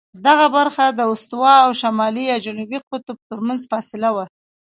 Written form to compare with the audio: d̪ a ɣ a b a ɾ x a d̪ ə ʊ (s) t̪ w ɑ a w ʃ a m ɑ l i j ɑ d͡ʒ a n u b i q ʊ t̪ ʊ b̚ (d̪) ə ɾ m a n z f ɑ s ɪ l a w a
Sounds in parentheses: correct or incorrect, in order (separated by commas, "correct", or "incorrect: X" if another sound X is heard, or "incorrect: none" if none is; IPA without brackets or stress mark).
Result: correct, incorrect: t̪